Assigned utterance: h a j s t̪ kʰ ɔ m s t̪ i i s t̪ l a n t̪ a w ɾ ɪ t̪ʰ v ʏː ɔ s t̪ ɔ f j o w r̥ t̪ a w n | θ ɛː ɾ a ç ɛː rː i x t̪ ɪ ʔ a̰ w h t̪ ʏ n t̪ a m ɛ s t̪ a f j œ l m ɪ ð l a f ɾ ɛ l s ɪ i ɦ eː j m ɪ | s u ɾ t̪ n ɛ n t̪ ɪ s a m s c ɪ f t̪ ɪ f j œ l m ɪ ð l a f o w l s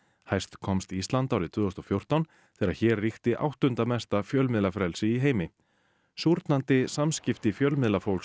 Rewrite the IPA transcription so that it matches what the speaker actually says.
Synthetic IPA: h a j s t̪ kʰ ɔ m s t̪ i i s t̪ l a n t̪ a w ɾ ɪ t̪ʰ v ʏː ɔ s t̪ ɔ f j o w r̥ t̪ a w n | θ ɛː ɾ a ç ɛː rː i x t̪ ɪ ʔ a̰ w h t̪ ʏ n t̪ a m ɛ s t̪ a f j œ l m ɪ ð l a f ɾ ɛ l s ɪ i ɦ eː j m ɪ | s u ɾ t̪ n a n t̪ ɪ s a m s c ɪ f t̪ ɪ f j œ l m ɪ ð l a f o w l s